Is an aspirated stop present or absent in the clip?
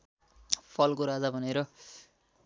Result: present